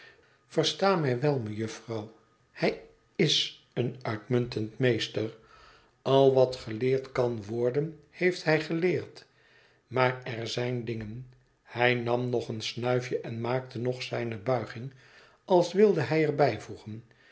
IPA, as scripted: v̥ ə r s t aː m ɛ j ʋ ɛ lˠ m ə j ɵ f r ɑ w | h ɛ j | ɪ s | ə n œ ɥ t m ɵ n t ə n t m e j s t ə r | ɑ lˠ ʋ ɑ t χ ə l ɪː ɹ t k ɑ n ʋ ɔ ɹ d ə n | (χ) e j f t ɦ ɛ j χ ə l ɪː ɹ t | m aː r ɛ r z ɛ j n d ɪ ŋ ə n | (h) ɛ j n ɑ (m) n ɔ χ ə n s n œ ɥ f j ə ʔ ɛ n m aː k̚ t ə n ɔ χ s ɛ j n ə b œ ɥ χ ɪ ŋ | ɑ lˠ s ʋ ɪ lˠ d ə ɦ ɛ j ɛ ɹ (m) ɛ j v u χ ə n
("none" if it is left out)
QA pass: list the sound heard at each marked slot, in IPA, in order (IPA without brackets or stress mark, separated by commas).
h, h, m, b